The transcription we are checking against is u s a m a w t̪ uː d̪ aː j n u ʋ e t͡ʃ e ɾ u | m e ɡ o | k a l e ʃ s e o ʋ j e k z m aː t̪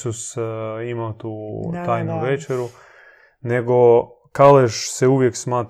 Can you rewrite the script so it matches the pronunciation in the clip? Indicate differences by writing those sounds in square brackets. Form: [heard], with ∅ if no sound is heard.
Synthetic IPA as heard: u s [i] m a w t̪ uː [t̪] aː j n u ʋ e t͡ʃ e ɾ u | [n] e ɡ o | k a l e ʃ s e [u] ʋ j e k [s] m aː t̪